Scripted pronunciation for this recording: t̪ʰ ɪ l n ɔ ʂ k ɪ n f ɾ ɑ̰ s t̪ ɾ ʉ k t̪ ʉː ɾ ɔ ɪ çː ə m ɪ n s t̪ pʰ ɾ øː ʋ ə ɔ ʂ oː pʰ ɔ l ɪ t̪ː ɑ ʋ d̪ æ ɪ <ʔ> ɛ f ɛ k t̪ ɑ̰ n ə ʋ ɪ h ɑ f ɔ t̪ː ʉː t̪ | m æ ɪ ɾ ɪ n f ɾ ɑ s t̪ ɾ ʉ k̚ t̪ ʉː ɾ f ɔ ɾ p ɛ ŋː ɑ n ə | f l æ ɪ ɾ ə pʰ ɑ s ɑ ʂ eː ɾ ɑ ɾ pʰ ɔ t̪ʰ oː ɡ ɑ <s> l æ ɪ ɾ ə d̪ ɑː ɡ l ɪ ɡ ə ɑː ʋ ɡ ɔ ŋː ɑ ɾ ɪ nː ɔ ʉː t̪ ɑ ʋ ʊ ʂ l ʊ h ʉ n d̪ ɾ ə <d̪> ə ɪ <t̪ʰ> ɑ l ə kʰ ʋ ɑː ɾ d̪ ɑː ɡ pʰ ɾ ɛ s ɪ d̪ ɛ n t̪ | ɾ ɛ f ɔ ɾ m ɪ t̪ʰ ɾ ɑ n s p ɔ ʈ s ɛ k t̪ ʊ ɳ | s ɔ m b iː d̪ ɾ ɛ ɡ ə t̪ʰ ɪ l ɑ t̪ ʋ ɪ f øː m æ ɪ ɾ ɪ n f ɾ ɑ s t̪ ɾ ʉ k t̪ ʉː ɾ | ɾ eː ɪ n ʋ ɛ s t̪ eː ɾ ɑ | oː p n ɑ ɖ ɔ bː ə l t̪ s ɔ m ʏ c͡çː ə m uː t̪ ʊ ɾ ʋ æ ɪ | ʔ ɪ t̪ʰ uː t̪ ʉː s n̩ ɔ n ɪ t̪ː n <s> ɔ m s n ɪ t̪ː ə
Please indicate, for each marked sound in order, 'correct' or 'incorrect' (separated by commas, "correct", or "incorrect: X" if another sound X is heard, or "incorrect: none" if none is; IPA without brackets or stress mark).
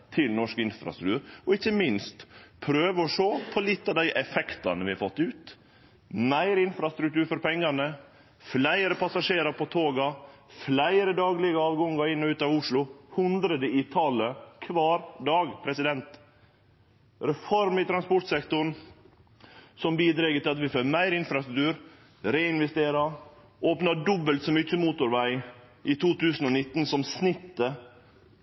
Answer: correct, incorrect: f, correct, correct, correct